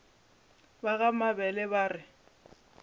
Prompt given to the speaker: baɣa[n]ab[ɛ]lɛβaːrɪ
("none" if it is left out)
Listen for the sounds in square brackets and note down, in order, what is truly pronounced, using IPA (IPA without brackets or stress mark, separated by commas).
m, ɛ